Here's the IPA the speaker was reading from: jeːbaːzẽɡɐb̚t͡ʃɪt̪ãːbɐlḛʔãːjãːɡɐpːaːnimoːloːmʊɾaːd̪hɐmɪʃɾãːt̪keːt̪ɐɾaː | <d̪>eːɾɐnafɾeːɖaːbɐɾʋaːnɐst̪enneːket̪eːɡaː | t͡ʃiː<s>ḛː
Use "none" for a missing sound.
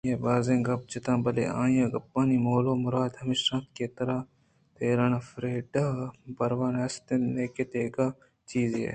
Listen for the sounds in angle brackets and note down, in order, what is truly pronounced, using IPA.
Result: t̪, z

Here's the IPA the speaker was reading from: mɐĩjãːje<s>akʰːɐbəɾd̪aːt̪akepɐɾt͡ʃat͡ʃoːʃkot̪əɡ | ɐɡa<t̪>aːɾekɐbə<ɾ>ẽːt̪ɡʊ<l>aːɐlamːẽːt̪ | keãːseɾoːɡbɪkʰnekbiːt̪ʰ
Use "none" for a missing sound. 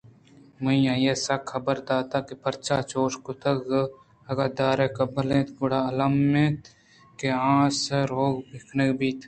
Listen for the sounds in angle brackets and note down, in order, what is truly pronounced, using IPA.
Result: s, d̪, l, ɽ

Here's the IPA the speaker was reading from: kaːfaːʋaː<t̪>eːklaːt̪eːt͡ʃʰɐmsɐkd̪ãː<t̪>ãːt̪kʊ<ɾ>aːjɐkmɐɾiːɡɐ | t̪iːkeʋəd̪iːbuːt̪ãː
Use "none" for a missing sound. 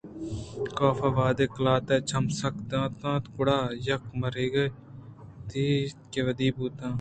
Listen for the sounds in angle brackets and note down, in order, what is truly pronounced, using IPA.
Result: d̪, t̪, ɽ

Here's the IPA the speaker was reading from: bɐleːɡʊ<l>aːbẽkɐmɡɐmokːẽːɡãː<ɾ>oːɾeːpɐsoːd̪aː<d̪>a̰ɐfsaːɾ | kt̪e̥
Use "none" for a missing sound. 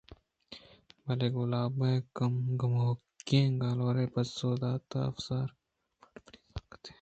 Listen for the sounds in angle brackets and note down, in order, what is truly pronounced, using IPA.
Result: l, l, t̪

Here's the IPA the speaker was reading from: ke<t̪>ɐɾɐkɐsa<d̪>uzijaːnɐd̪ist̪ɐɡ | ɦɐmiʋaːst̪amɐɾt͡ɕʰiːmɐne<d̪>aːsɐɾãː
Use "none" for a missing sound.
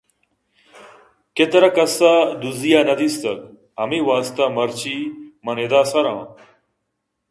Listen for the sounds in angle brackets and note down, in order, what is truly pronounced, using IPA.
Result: t̪, d̪, d̪

